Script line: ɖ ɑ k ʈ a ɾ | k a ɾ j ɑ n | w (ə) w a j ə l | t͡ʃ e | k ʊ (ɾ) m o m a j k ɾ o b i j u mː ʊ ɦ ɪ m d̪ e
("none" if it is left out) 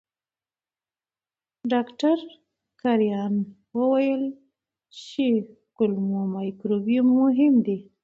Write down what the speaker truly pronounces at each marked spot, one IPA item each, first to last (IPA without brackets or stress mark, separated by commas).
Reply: ə, l